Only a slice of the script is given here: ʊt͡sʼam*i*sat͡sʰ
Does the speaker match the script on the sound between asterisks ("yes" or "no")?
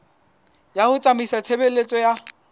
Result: yes